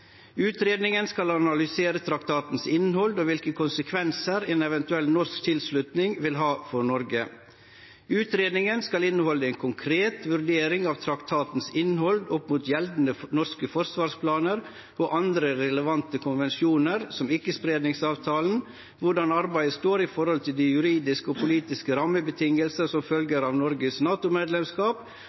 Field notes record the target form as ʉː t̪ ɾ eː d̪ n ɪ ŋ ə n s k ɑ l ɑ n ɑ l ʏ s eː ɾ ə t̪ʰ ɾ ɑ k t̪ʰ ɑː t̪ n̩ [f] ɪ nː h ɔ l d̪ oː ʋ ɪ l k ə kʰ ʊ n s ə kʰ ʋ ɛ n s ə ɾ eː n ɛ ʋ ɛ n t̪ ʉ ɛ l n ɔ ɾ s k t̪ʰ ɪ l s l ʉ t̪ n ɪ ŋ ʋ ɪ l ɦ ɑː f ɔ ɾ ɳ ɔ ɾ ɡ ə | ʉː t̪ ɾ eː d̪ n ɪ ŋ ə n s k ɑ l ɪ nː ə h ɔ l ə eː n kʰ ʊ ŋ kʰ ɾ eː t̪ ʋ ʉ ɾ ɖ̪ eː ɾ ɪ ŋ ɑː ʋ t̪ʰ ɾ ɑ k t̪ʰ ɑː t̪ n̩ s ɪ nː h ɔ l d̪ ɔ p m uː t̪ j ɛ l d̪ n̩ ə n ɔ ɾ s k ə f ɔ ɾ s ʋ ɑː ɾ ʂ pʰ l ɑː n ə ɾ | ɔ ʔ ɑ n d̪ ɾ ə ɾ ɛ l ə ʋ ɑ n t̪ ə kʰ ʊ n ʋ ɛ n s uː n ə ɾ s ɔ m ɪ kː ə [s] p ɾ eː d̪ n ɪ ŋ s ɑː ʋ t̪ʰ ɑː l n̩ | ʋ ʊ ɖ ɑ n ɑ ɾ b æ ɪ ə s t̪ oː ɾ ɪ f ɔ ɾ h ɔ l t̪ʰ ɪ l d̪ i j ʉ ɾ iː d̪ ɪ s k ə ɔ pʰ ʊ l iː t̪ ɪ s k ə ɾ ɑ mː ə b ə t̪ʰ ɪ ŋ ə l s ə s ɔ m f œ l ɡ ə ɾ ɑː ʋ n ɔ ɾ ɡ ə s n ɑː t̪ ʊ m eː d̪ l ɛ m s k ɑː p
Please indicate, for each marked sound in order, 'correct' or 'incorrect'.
incorrect: s, correct

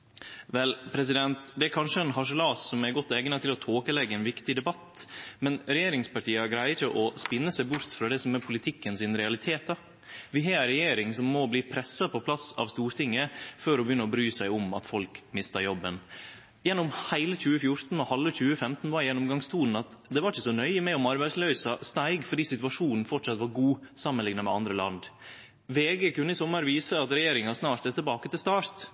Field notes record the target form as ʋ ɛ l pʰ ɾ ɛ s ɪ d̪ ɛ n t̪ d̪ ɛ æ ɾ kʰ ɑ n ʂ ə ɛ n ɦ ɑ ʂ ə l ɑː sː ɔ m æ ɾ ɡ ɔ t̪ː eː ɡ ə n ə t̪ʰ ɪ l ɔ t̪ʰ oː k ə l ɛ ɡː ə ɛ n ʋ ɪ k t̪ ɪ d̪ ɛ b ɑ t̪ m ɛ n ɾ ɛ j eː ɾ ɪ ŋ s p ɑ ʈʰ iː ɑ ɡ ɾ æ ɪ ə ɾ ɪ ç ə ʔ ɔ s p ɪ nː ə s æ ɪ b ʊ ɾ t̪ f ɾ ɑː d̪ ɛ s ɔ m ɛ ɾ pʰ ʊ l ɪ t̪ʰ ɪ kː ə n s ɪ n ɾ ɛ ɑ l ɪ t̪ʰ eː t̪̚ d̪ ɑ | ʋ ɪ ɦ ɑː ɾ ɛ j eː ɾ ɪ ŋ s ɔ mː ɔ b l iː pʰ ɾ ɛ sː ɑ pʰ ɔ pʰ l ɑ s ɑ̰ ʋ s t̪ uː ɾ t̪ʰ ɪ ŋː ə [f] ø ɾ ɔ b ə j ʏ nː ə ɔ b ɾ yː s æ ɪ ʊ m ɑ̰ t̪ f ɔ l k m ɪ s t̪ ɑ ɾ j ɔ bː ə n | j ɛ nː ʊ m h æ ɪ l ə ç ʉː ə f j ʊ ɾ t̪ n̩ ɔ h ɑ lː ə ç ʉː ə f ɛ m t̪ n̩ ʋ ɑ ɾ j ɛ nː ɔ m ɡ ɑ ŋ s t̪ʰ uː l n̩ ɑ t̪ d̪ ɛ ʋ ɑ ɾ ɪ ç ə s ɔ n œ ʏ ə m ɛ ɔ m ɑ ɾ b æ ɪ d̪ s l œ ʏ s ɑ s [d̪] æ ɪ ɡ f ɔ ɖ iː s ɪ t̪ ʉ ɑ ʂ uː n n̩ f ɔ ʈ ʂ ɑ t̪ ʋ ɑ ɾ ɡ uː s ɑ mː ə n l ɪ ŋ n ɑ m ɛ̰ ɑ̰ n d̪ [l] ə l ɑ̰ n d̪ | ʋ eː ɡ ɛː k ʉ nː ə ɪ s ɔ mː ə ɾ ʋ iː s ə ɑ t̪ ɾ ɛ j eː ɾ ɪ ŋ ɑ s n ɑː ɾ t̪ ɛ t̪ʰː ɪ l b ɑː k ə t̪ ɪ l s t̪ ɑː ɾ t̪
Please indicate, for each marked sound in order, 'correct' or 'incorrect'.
correct, incorrect: t̪, incorrect: ɾ

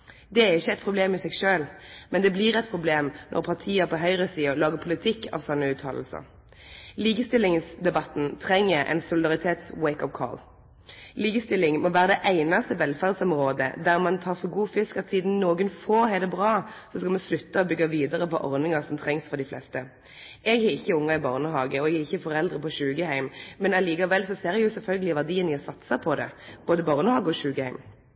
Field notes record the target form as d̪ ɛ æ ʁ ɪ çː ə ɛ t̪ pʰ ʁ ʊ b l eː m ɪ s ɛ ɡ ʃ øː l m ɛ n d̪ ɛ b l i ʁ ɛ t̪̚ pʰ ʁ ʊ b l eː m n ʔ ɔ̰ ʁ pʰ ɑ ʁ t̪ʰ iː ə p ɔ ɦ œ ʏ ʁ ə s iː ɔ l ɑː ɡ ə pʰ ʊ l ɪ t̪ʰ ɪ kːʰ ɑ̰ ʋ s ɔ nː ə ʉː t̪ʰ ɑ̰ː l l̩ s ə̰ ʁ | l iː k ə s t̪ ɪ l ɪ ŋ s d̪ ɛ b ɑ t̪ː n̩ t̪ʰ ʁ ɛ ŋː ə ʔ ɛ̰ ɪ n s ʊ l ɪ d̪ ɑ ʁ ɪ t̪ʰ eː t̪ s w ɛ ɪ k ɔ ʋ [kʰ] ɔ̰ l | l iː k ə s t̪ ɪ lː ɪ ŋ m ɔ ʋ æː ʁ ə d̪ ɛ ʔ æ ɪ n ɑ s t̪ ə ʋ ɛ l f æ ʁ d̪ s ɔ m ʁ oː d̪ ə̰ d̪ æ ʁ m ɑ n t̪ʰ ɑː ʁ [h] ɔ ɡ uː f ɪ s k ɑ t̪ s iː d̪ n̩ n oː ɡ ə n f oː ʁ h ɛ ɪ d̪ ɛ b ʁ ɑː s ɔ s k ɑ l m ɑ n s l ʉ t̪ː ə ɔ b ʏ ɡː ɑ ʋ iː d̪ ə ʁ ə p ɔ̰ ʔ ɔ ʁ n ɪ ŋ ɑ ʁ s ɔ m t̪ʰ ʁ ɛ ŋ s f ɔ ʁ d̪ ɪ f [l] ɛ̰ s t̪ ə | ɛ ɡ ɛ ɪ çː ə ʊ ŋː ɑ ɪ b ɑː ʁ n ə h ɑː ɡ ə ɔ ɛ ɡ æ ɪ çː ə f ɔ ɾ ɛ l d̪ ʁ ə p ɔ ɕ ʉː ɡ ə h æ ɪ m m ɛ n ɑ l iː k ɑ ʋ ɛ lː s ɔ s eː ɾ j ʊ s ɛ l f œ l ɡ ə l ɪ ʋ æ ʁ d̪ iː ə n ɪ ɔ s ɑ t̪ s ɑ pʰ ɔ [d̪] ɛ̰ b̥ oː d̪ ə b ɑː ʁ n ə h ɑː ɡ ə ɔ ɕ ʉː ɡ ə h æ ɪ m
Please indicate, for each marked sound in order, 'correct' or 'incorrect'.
correct, incorrect: f, correct, correct

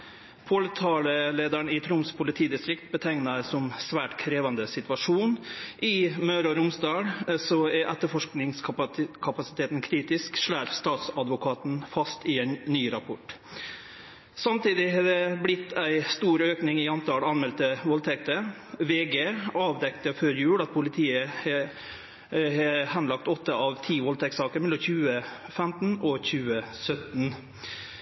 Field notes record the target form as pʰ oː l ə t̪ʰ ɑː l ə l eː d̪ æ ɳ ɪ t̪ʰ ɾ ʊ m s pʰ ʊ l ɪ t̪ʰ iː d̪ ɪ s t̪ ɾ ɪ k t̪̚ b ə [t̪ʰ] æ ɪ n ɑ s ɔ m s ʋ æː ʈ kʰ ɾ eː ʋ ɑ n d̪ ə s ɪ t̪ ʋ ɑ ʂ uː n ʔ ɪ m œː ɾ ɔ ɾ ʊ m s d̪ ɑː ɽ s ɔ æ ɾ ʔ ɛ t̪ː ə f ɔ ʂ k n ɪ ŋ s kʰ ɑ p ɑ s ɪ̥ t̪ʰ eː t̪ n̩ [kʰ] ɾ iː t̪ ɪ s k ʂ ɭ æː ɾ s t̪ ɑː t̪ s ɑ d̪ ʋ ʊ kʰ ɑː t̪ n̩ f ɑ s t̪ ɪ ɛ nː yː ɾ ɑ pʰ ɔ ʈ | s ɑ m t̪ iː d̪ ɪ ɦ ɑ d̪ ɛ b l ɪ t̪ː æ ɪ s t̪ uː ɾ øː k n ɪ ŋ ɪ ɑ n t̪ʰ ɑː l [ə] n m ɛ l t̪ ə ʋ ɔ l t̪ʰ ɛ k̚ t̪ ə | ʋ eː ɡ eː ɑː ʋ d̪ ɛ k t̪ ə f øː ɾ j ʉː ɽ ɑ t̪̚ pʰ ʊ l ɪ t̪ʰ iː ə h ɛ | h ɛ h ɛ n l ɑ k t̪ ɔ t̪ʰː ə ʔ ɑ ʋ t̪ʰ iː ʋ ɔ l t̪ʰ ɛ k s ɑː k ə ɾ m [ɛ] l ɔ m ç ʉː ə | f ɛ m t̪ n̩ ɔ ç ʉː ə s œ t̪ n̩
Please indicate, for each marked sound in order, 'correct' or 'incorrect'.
correct, correct, incorrect: ɑ, correct

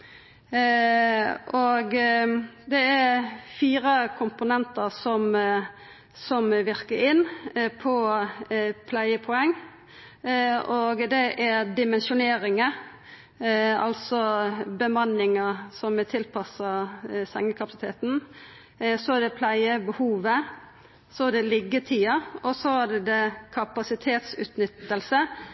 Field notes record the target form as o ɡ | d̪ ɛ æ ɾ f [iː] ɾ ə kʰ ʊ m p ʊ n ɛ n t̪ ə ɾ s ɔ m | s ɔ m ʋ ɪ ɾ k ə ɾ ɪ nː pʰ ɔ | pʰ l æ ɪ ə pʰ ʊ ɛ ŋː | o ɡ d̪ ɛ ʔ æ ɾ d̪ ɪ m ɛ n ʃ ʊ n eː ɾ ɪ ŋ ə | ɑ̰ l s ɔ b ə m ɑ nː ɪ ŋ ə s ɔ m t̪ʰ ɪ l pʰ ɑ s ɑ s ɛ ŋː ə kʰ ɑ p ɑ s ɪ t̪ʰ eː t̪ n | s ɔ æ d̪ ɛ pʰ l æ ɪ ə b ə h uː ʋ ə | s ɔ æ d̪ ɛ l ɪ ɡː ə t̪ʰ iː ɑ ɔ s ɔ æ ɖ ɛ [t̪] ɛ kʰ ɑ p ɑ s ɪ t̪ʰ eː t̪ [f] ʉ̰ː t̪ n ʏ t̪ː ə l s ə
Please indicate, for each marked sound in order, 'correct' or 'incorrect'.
correct, incorrect: d̪, incorrect: s

